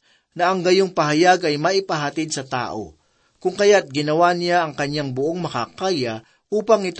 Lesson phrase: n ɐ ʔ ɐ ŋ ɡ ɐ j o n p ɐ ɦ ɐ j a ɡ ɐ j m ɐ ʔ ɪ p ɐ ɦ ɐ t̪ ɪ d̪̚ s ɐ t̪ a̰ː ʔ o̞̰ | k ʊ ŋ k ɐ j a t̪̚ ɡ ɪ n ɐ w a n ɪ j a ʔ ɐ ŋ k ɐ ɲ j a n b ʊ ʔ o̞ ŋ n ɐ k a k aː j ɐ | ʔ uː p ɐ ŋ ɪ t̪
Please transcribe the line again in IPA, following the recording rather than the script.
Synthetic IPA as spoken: n ɐ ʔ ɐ ŋ ɡ ɐ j o ŋ p ɐ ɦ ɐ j a ɡ ɐ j m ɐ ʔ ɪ p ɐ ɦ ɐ t̪ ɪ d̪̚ s ɐ t̪ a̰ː ʔ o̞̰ | k ʊ ŋ k ɐ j a t̪̚ ɡ ɪ n ɐ w a n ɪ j a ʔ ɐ ŋ k ɐ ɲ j a ŋ b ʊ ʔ o̞ ŋ m ɐ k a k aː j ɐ | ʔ uː p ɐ ŋ ɪ t̪